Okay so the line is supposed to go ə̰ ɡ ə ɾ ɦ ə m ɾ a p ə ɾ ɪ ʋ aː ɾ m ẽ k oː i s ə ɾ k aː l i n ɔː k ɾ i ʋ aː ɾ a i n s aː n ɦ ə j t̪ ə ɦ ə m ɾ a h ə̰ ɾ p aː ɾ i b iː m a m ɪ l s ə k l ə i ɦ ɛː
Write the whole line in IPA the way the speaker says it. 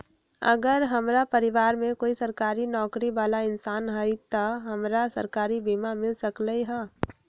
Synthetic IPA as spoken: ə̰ ɡ ə ɾ ɦ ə m ɾ a p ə ɾ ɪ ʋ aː ɾ m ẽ k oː i s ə ɾ k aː ɾ i n ɔː k ɾ i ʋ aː l a ɪ n s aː n ɦ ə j t̪ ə ɦ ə m ɾ a s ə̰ ɾ k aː ɾ i b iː m a m ɪ l s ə k l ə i ɦ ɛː